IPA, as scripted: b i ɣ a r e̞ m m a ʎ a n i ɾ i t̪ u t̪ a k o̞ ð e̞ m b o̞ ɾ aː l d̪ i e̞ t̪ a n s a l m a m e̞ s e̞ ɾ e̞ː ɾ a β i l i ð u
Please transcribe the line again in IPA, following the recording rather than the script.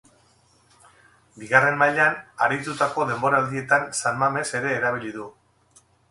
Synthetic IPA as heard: b i ɣ a r e̞ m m a ʎ a n a ɾ i t̪ u t̪ a k o̞ ð e̞ m b o̞ ɾ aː l d̪ i e̞ t̪ a n s a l m a m e̞ s e̞ ɾ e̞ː ɾ a β i l i ð u